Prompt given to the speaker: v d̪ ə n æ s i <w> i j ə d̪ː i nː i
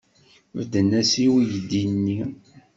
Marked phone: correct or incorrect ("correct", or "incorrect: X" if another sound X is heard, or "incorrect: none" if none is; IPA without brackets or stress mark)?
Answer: correct